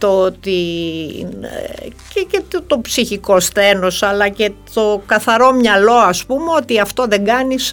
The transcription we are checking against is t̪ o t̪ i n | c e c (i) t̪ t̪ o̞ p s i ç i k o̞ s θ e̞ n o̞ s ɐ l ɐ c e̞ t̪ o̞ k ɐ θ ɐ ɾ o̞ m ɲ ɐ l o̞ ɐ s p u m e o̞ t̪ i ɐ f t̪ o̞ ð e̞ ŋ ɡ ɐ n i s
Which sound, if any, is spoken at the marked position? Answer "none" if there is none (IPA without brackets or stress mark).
e